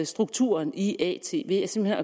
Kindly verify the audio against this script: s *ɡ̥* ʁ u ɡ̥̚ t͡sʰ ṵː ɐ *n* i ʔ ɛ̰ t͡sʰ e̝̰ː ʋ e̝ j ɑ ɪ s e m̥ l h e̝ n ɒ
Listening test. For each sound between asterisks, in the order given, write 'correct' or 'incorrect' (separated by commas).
incorrect, correct